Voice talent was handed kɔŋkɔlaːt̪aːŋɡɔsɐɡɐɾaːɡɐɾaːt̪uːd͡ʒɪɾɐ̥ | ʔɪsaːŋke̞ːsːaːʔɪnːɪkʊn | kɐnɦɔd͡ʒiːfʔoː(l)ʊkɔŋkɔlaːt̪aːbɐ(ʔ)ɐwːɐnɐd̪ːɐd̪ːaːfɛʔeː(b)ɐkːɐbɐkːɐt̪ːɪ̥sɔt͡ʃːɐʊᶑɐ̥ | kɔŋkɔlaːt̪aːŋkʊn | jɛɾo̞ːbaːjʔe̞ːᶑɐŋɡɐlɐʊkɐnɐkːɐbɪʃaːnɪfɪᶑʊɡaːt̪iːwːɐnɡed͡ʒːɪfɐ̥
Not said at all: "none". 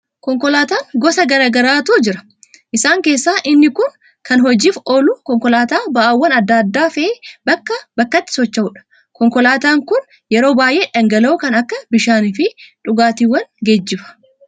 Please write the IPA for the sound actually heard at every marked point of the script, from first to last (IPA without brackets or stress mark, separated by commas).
l, ʔ, b